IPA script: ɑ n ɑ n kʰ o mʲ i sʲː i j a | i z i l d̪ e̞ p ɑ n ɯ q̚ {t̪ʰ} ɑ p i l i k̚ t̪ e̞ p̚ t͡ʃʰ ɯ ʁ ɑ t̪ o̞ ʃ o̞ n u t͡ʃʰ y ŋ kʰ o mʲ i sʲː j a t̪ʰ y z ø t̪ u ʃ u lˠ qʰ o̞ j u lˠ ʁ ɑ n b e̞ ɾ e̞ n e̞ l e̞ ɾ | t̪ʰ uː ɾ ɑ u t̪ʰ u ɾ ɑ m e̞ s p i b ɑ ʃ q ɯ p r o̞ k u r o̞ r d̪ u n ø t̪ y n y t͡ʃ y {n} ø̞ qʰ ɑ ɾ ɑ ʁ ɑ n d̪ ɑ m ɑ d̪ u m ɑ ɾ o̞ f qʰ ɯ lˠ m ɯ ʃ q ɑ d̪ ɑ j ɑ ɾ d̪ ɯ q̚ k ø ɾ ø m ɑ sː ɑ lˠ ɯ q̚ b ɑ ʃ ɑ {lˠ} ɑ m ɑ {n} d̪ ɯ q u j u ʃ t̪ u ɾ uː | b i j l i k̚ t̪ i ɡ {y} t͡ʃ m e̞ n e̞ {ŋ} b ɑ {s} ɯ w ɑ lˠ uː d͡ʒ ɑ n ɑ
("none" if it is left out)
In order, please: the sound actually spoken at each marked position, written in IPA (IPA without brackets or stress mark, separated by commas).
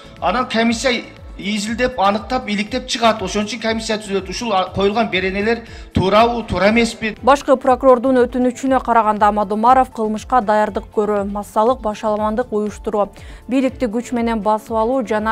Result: t̪, n, lˠ, n, y, n, s